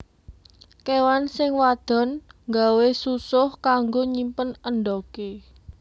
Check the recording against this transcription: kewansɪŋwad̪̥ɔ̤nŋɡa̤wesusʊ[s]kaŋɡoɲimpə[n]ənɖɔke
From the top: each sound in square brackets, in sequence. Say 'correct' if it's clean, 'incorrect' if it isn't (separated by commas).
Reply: incorrect, correct